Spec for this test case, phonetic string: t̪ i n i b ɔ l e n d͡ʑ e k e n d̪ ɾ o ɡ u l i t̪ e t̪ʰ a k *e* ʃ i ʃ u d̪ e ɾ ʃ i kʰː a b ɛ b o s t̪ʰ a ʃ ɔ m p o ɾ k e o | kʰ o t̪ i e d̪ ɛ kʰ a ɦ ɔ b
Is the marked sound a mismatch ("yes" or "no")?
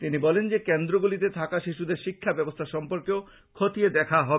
yes